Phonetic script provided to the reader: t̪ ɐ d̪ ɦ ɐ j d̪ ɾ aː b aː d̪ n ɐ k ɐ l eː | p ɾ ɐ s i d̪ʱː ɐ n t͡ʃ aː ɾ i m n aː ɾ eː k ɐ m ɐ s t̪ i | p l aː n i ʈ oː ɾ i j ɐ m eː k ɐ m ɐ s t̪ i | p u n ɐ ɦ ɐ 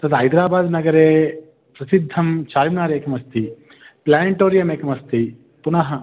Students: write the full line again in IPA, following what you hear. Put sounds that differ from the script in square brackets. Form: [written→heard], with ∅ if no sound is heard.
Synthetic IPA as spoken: t̪ ɐ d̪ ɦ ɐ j d̪ ɾ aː b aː d̪ n ɐ [k→ɡ] ɐ [l→ɾ] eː | p ɾ ɐ s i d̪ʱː ɐ [n→m] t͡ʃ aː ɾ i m n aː ɾ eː k ɐ m ɐ s t̪ i | p l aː n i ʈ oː ɾ i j ɐ m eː k ɐ m ɐ s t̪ i | p u n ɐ ɦ ɐ